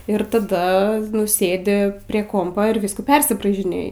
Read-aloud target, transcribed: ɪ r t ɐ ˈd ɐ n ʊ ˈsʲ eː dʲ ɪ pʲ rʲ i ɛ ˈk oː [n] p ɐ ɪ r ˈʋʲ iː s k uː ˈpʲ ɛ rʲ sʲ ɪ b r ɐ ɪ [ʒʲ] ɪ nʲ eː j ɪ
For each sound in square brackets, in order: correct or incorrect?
incorrect: m, correct

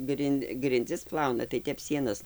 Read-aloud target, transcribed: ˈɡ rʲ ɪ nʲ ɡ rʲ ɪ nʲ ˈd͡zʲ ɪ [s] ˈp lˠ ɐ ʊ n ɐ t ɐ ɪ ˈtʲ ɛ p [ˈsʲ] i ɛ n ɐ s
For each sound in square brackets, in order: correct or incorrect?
correct, correct

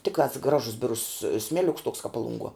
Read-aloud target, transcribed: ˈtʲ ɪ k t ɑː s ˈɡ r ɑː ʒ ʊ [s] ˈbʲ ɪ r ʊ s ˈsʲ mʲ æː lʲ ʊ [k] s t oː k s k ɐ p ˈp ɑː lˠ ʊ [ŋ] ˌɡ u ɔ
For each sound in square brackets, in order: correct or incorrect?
correct, correct, correct

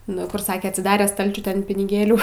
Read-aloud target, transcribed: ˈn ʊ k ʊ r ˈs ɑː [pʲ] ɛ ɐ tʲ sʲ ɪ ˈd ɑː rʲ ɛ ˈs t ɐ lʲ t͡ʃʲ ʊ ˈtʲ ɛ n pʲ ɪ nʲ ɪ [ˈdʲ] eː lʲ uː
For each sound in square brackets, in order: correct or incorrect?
incorrect: kʲ, incorrect: ɡʲ

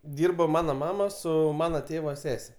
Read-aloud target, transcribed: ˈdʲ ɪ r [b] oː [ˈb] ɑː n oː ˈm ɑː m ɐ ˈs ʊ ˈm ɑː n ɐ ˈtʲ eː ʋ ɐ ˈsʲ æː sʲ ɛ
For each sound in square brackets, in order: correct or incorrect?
correct, incorrect: m

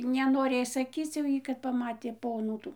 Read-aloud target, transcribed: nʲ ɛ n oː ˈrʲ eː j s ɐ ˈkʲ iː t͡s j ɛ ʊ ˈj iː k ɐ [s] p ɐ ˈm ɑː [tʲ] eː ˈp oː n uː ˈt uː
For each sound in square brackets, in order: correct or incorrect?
incorrect: t, correct

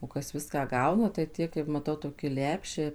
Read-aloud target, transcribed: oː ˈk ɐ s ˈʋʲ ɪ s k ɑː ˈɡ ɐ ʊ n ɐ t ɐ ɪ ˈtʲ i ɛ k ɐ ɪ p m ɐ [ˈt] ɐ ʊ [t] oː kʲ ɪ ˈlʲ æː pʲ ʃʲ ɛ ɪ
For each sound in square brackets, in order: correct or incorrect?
correct, correct

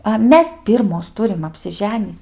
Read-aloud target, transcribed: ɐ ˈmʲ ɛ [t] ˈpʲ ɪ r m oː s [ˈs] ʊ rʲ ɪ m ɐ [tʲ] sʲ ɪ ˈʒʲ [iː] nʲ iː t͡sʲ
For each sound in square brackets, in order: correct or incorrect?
incorrect: s, incorrect: t, incorrect: pʲ, incorrect: æː

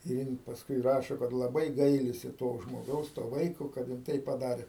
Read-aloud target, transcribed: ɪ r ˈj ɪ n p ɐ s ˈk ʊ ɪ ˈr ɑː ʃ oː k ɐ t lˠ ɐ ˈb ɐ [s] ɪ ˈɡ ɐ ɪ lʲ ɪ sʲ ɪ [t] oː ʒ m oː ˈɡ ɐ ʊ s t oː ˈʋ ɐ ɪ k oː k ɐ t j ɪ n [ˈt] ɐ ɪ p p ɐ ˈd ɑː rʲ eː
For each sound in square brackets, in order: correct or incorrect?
incorrect: none, correct, correct

